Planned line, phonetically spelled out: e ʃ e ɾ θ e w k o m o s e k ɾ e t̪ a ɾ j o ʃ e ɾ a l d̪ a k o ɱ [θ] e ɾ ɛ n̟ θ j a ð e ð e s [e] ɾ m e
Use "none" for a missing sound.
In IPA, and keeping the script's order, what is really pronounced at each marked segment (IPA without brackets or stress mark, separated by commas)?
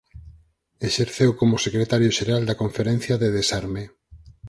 f, a